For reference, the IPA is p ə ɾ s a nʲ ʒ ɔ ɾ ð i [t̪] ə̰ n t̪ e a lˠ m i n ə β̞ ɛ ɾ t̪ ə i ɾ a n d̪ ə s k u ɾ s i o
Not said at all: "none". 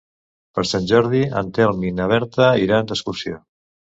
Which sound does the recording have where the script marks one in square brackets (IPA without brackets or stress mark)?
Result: none